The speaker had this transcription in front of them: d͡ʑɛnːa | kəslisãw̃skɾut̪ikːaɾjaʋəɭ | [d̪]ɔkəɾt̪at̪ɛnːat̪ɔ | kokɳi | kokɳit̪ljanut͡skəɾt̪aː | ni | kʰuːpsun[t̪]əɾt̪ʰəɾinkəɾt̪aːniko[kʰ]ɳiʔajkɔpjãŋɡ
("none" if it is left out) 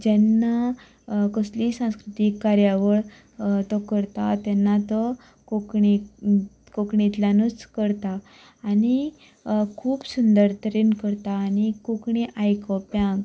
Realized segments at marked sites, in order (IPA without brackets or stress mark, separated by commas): t̪, d̪, k